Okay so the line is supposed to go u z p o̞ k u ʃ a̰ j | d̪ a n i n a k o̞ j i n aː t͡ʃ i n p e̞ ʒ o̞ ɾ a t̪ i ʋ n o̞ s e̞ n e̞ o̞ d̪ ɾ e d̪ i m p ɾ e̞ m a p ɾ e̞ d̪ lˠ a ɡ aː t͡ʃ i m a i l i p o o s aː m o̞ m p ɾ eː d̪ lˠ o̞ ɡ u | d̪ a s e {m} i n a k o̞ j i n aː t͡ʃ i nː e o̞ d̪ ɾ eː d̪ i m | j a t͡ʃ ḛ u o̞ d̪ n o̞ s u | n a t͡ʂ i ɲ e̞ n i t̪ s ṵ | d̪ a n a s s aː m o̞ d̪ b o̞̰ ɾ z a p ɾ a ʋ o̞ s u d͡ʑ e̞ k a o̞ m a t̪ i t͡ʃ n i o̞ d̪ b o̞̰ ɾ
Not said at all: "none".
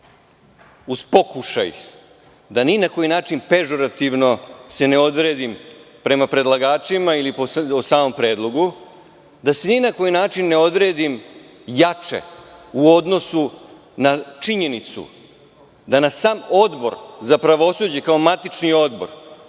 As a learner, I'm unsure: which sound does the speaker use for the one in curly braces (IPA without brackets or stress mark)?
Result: n